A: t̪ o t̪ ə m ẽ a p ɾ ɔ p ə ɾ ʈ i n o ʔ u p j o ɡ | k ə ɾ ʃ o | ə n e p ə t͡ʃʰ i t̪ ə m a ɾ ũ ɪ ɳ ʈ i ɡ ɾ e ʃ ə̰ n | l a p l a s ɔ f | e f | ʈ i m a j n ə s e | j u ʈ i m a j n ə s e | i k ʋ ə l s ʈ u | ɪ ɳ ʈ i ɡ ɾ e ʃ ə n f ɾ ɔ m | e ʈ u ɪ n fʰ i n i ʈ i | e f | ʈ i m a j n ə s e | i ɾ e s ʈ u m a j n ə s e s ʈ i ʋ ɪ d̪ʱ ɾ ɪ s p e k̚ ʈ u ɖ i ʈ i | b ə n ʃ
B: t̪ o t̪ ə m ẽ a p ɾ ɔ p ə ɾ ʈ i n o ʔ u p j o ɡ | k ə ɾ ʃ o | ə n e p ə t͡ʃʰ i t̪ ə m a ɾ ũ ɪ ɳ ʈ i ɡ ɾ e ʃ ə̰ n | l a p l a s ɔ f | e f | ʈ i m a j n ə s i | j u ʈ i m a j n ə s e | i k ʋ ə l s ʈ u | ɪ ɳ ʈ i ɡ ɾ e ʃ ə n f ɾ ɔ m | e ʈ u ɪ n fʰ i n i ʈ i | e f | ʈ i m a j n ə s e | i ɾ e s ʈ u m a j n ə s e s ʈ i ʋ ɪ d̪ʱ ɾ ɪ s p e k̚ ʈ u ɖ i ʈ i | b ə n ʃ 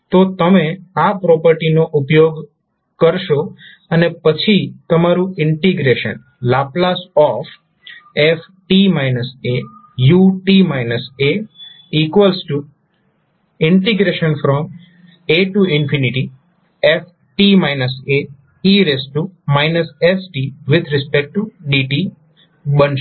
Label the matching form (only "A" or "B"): A